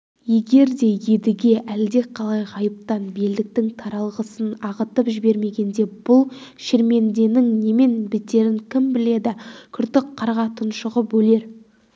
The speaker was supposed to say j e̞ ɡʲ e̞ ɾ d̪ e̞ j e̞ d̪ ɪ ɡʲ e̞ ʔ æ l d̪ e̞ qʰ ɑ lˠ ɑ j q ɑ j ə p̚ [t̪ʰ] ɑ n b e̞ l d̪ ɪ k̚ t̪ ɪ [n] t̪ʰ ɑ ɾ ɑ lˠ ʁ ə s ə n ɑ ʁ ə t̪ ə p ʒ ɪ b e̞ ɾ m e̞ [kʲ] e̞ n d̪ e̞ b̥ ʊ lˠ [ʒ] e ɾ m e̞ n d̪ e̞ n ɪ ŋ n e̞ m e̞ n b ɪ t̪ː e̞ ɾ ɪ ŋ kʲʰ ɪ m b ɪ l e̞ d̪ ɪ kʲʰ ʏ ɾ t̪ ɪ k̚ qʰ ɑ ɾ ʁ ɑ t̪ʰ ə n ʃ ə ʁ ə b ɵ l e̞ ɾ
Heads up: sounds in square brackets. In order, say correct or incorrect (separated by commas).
incorrect, incorrect, incorrect, incorrect